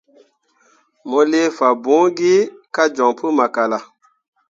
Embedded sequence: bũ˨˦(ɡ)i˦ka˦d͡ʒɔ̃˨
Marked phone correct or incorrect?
correct